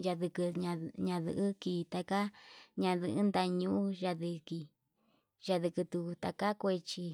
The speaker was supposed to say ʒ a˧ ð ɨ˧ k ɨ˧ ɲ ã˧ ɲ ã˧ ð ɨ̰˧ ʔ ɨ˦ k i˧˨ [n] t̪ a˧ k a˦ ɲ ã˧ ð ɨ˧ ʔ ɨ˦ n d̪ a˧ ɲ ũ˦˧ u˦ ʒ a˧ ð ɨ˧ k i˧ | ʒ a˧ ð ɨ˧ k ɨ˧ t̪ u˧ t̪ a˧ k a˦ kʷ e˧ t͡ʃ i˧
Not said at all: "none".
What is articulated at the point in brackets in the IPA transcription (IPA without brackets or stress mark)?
none